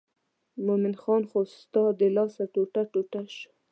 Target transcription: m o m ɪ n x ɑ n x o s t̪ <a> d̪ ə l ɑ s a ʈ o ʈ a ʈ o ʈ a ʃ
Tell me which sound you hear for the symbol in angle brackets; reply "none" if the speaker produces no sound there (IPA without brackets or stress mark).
ɑ